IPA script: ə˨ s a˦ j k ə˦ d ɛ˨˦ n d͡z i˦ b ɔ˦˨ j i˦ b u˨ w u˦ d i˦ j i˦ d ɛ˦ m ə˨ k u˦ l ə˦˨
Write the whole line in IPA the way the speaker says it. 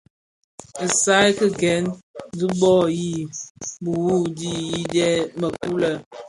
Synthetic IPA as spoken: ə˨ s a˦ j k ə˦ ɡ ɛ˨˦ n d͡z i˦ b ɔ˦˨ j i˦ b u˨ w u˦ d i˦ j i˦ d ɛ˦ m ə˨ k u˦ l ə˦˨